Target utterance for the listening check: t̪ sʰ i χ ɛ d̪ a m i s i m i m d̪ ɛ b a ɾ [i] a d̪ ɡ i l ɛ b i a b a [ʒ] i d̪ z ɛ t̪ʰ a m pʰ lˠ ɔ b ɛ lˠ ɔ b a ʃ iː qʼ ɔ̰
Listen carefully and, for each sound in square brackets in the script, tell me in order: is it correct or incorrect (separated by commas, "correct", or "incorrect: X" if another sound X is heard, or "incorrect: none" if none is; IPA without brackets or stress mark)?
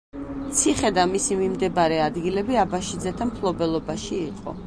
incorrect: ɛ, incorrect: ʃ